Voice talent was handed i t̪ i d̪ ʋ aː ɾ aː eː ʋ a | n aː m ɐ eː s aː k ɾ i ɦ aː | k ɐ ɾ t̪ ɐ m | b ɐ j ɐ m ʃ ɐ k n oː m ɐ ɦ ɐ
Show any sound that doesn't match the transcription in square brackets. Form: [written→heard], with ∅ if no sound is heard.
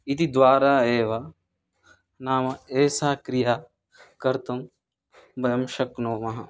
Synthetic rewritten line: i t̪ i d̪ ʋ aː ɾ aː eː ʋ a | n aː m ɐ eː s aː k ɾ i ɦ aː | k ɐ ɾ t̪ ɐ m | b ɐ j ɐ m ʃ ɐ k n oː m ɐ ɦ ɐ